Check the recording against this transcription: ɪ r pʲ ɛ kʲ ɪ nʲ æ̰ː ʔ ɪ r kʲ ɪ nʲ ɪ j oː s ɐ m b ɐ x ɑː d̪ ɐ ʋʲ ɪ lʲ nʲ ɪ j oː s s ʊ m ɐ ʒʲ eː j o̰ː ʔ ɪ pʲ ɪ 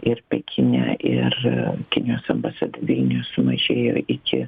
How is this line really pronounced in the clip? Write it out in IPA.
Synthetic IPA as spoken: ɪ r pʲ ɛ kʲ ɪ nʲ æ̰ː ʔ ɪ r kʲ ɪ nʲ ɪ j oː s ɐ m b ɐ s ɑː d̪ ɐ ʋʲ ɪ lʲ nʲ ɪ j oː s s ʊ m ɐ ʒʲ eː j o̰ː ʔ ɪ kʲ ɪ